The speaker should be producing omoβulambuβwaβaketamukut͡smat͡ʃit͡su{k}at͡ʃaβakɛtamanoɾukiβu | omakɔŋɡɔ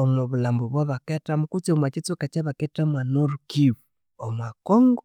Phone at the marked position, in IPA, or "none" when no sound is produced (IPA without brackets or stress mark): k